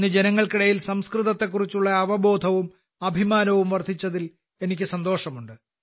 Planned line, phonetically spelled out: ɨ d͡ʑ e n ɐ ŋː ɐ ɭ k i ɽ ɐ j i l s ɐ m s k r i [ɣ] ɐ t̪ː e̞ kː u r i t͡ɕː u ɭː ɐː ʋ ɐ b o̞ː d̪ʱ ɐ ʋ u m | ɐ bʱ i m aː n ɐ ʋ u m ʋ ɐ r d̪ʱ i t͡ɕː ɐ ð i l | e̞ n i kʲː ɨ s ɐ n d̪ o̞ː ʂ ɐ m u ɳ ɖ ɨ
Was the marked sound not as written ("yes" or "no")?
yes